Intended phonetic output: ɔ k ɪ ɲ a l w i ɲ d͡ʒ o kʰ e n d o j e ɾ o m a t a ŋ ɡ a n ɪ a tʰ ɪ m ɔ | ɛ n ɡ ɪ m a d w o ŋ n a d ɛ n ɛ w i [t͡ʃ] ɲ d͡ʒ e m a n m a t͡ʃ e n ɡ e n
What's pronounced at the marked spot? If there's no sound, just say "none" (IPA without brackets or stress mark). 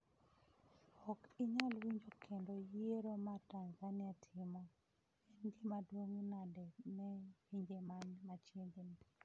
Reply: none